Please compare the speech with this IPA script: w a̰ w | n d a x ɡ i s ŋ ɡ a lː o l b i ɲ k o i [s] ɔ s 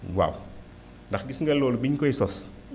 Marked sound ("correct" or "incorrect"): correct